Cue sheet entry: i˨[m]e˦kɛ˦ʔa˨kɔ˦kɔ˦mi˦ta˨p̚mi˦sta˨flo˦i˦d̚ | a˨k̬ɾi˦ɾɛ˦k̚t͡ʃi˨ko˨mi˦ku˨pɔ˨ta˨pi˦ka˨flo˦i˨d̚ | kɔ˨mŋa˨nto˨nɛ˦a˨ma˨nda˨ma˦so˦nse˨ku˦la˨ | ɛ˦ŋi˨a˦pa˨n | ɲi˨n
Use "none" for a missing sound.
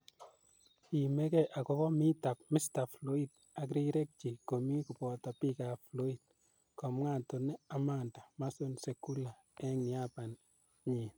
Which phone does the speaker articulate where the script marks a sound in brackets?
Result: m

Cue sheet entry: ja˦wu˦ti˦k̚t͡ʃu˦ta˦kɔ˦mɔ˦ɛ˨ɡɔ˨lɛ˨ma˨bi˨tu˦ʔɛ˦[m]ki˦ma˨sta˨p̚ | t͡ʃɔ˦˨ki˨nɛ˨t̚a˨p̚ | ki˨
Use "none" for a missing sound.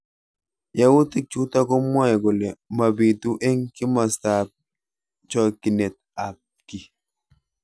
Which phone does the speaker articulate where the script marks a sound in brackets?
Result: ŋ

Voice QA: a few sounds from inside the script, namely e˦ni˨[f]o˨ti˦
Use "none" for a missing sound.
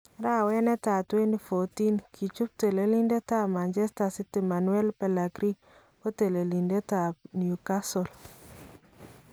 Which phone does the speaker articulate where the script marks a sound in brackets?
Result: f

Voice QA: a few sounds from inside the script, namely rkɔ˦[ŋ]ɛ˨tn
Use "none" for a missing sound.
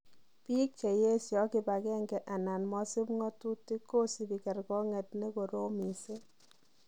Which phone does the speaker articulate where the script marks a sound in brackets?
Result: ŋ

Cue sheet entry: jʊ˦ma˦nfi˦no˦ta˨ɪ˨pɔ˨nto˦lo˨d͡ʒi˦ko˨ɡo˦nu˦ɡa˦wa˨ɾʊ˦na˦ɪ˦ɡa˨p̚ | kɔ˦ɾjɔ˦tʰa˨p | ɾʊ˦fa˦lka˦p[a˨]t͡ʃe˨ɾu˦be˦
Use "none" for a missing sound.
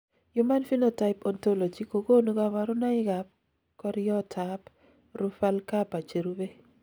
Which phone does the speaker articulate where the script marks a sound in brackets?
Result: a˨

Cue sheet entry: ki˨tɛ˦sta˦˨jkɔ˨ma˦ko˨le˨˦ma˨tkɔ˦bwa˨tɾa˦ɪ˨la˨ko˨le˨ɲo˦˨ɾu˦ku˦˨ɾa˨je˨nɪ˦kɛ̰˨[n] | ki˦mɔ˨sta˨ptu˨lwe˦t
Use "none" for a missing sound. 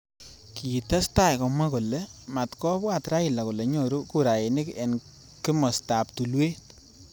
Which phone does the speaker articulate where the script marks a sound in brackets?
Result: n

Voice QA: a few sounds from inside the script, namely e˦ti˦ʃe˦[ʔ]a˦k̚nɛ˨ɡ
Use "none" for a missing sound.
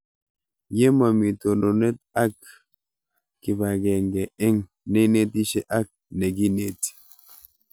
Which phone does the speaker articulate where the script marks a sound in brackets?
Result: ʔ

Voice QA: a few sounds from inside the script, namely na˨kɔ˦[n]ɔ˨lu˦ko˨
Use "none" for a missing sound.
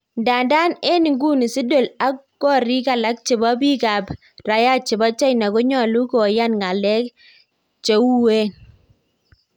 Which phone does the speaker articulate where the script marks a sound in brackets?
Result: ɲ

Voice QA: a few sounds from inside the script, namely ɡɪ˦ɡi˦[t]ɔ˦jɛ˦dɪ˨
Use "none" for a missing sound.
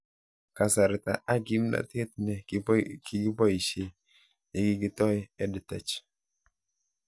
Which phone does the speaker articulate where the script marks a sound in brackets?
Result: t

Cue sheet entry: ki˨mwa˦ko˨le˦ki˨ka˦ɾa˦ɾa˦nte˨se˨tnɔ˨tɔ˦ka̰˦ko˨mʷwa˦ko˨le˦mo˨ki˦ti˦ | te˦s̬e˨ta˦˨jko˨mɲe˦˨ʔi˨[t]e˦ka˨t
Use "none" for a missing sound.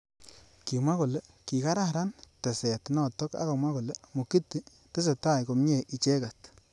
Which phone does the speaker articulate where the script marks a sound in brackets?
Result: t͡ʃ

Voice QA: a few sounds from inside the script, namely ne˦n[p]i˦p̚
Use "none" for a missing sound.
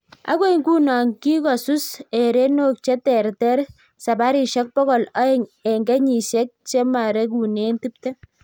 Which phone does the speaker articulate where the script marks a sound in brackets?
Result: t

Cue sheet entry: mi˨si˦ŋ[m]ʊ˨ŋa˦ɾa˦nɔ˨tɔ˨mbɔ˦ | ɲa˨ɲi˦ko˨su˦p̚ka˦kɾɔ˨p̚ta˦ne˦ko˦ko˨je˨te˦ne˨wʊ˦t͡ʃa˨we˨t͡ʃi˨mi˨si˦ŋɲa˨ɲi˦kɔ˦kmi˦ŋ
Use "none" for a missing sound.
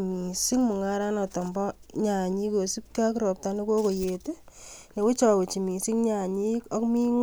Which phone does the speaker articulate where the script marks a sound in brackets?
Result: m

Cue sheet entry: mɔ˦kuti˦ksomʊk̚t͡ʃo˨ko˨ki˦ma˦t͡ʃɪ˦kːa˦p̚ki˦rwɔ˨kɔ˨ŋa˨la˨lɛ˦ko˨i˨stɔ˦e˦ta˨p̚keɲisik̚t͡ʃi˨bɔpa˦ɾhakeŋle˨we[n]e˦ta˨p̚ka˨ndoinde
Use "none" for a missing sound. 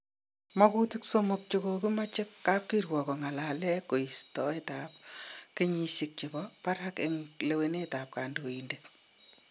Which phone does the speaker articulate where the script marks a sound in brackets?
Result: n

